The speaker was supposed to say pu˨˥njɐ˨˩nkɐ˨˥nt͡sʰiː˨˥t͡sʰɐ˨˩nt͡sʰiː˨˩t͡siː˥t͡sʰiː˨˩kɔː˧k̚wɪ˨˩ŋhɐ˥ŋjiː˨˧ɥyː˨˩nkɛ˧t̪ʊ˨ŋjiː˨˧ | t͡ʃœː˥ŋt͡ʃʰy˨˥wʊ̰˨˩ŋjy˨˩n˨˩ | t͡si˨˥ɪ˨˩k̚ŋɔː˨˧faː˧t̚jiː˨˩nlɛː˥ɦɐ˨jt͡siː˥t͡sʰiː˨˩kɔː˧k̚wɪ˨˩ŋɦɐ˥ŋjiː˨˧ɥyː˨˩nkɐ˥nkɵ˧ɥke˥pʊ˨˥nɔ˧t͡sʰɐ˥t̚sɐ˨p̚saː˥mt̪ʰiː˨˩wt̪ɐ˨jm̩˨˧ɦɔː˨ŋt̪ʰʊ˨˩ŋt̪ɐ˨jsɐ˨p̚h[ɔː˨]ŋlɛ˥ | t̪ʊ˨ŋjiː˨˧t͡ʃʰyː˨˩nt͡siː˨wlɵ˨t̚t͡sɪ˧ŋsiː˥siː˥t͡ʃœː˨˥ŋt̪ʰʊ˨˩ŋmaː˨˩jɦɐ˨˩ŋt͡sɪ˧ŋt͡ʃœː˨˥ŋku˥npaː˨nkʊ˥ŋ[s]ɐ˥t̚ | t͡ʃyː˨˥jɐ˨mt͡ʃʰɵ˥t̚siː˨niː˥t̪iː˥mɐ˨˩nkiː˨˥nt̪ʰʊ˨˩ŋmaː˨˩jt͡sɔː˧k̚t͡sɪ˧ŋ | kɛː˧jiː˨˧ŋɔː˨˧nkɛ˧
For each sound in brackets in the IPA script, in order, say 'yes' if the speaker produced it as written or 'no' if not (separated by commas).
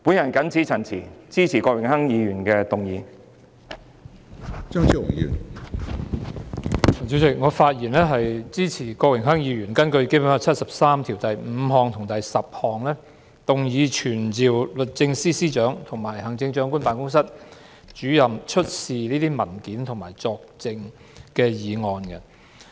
yes, yes